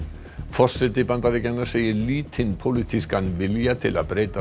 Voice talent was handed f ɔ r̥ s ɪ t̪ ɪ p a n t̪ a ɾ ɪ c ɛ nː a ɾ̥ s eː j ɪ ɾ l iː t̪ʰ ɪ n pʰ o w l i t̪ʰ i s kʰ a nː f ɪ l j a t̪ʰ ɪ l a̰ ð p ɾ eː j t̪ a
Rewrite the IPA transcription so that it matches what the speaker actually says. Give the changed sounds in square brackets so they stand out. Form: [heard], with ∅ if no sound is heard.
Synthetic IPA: f ɔ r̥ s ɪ t̪ ɪ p a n t̪ a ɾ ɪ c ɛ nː a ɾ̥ s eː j ɪ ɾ l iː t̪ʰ ɪ n pʰ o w l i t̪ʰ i s [k] a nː [v] ɪ l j a t̪ʰ ɪ l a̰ ð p ɾ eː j t̪ a